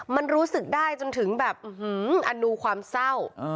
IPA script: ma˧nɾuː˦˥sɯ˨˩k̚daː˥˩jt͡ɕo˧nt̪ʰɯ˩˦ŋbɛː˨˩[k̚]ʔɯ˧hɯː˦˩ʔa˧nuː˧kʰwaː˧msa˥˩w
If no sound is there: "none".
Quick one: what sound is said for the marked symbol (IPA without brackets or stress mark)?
p̚